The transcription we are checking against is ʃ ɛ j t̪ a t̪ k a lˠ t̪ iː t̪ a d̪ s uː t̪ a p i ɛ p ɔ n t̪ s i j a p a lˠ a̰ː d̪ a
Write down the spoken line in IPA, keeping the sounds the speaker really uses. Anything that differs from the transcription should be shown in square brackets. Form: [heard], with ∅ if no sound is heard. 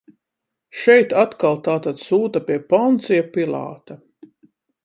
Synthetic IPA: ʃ ɛ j t̪ a t̪ k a lˠ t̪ [aː] t̪ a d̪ s uː t̪ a p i ɛ p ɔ n t̪ s i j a p [i] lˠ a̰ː [t̪] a